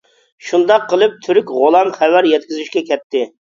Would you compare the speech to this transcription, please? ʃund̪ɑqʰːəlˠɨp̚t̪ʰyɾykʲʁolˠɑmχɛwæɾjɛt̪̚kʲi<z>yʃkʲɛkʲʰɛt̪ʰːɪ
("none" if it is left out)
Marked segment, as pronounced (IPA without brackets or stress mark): z